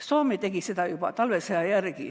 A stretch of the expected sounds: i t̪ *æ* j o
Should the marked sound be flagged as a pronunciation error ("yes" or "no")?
no